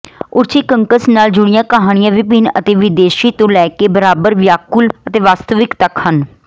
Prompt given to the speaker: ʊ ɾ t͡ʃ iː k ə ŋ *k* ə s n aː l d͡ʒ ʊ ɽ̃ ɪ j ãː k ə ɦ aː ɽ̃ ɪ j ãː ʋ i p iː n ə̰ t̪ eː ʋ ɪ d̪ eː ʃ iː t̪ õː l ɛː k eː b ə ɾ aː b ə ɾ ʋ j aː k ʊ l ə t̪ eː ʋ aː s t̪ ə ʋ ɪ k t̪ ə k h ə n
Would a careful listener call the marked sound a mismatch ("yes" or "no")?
no